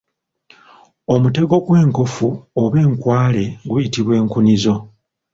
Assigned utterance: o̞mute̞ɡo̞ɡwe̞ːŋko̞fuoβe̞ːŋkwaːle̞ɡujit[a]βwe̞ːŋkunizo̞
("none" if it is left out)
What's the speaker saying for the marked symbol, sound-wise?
i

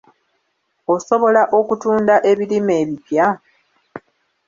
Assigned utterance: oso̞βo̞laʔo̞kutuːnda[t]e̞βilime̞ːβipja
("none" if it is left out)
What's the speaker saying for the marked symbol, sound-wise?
ʔ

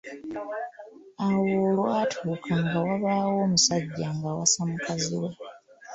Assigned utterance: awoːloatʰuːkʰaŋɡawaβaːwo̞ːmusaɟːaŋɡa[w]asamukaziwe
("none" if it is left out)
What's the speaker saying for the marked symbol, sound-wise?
w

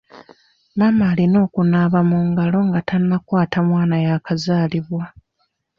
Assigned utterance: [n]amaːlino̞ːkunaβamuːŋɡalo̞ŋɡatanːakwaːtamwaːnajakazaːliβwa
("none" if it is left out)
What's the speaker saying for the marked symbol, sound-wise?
m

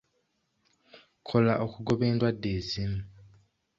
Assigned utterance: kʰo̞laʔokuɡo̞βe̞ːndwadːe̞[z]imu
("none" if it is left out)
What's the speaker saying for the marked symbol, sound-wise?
z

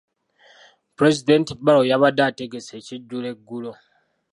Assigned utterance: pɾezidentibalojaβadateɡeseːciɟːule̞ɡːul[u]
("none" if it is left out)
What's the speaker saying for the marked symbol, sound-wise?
o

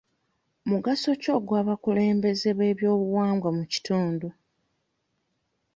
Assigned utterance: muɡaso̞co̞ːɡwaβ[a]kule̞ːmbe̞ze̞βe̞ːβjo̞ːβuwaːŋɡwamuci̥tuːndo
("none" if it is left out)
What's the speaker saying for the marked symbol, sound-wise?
a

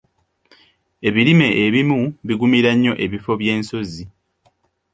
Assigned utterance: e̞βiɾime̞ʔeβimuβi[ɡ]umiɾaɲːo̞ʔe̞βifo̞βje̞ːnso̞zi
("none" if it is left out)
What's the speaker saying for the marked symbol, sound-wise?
ɡ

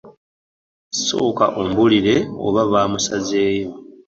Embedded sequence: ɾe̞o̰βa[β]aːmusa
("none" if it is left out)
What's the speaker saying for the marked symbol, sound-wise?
β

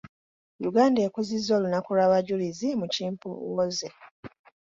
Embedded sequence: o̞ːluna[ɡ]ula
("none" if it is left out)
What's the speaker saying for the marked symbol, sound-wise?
k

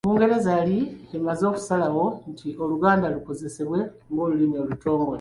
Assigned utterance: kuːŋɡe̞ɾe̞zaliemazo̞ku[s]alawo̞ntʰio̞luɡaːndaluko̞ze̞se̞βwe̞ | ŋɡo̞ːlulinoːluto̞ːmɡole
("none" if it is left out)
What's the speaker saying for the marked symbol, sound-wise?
s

